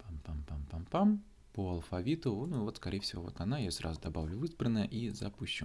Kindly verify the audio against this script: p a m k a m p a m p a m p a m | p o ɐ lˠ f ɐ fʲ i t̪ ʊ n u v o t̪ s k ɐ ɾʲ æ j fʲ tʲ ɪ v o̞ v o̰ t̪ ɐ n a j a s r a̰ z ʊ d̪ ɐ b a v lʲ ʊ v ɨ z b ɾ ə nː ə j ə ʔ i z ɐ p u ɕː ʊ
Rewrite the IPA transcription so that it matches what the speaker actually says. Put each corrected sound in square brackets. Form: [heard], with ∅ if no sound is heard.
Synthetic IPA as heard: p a m [p] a m p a m p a m p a m | p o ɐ lˠ f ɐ [vʲ] i t̪ ʊ n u v o t̪ s k ɐ ɾʲ [e] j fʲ [sʲ] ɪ v o̞ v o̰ t̪ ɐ n a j a s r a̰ z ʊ d̪ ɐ b a v lʲ ʊ v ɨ z b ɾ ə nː ə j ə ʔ i z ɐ p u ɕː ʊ